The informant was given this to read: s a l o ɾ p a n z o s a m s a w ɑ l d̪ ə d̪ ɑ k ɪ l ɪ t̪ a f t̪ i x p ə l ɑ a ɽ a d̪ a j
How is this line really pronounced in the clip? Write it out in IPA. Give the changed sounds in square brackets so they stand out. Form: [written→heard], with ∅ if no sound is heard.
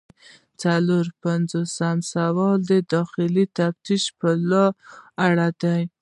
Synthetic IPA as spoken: [s→t͡s] a l o ɾ p a n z o s a m s a w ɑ l d̪ ə d̪ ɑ [k→x] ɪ l [ɪ→i] t̪ a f t̪ i [x→ʃ] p ə l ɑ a ɽ a d̪ a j

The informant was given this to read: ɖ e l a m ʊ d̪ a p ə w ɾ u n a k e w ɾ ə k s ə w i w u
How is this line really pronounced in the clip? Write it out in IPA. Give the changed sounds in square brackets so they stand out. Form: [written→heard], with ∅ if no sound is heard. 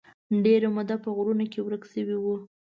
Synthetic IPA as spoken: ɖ e [l→ɾ] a m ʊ d̪ a p ə [w→ɣ] ɾ u n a k e w ɾ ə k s ə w i w u

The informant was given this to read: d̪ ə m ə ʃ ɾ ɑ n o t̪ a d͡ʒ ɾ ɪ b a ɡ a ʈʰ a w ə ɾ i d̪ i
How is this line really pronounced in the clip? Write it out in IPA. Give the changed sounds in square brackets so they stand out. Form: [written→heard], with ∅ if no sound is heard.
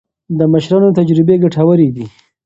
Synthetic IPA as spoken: d̪ ə m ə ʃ ɾ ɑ n o t̪ a d͡ʒ ɾ ɪ b [a→e] ɡ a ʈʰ a w ə ɾ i d̪ i

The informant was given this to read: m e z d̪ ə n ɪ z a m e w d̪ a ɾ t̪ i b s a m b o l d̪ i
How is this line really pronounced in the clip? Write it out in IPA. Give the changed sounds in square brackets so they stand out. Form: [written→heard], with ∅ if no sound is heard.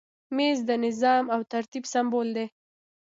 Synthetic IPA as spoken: m e z d̪ ə n ɪ z [a→ɑ] m [e→a] w [d̪→t̪] a ɾ t̪ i b s a m b o l d̪ [i→e]

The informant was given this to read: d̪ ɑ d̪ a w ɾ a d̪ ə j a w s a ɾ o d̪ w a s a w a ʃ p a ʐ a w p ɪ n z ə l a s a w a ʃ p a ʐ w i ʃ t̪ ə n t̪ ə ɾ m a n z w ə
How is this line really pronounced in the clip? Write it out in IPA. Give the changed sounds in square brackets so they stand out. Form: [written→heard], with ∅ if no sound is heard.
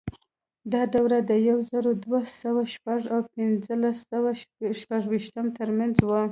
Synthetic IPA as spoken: d̪ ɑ d̪ a w ɾ a d̪ ə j a w [s→z] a ɾ o d̪ w a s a w a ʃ p a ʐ a w p ɪ n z ə l a s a w a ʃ p a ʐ w i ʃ t̪ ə [n→m] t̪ ə ɾ m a n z w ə

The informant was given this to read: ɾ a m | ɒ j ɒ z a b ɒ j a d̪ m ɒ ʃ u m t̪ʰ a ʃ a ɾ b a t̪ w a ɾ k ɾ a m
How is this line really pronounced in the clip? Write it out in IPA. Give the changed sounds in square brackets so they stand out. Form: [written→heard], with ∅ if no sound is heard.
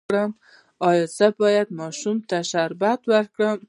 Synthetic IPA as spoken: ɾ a m | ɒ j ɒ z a b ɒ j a d̪ m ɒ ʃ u m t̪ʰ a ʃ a ɾ b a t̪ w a ɾ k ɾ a m

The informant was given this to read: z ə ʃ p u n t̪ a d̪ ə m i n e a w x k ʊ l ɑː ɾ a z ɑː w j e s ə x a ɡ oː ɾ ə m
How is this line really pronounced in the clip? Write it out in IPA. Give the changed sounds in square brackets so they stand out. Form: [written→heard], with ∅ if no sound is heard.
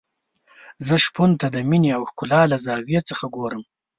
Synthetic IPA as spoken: z ə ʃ p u n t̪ a d̪ ə m i n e a w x k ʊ l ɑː [ɾ→l] a z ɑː w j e [s→t͡s] ə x a ɡ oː ɾ ə m

